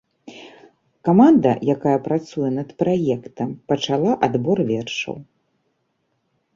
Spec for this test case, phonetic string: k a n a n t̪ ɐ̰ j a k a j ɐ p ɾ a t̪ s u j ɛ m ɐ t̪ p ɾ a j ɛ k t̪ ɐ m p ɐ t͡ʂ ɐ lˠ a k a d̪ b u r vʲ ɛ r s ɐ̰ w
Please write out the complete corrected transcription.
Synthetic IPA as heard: k a m a n d̪ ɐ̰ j a k a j ɐ p ɾ a t̪ s u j ɛ n ɐ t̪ p ɾ a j ɛ k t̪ ɐ m p ɐ t͡ʂ a lˠ a ʔ a d̪ b ɔ r vʲ ɛ r ʂ ɐ̰ w